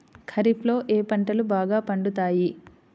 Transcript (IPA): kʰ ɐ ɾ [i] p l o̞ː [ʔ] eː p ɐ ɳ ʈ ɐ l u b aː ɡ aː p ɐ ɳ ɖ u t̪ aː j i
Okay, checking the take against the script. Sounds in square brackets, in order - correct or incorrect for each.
correct, correct

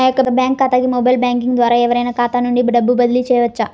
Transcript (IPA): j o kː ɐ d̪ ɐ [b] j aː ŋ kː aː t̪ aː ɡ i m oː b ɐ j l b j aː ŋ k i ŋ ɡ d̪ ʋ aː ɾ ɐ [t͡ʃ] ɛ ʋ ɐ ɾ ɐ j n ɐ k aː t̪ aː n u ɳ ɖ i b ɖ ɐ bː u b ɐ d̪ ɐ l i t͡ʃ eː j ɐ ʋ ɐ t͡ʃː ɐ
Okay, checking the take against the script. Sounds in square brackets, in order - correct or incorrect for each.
correct, incorrect

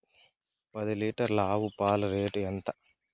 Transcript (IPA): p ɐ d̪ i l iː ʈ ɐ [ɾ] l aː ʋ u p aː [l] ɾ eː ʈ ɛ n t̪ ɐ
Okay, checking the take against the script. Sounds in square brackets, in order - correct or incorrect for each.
correct, correct

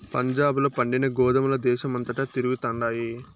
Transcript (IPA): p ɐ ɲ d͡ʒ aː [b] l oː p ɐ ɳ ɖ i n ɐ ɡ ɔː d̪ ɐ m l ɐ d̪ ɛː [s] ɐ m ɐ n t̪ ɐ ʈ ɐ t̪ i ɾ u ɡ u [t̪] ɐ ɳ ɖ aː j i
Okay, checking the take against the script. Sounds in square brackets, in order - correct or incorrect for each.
correct, incorrect, correct

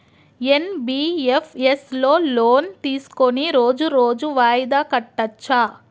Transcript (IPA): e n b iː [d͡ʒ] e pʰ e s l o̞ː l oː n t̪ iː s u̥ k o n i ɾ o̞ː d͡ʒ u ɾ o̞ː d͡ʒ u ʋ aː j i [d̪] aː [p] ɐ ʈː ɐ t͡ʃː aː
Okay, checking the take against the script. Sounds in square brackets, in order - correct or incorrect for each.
incorrect, correct, incorrect

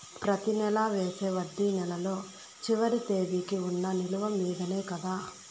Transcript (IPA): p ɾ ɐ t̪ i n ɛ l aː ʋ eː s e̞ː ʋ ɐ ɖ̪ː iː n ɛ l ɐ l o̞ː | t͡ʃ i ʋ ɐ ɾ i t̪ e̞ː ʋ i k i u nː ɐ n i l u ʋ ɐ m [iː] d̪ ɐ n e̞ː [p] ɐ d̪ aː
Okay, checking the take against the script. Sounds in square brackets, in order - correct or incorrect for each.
correct, incorrect

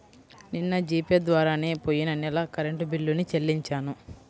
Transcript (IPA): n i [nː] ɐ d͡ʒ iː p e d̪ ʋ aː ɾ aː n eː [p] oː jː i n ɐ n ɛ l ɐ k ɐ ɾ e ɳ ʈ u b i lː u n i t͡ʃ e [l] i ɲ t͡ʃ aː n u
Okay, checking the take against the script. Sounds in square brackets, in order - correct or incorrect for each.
correct, correct, incorrect

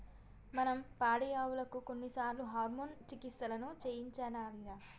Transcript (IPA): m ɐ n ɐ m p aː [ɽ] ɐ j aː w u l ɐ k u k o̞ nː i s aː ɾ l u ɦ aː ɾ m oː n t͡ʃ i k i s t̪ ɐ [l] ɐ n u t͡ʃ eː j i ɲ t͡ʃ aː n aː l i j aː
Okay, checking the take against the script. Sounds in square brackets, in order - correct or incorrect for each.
correct, correct

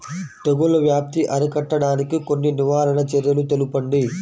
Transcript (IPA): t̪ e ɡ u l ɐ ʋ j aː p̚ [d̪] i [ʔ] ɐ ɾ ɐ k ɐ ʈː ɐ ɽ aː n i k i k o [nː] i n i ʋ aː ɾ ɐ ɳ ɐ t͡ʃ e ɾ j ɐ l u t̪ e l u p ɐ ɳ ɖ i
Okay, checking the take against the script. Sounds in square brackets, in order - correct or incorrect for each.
incorrect, correct, correct

